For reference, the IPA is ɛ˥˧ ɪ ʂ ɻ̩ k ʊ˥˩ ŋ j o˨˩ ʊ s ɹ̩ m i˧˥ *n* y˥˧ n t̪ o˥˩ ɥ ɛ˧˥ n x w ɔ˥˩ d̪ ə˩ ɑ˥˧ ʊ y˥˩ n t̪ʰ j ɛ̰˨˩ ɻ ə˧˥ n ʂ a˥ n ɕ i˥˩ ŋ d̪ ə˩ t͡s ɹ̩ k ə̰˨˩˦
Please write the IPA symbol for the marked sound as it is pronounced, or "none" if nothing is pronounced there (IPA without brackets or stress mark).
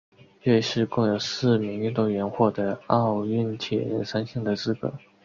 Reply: ŋ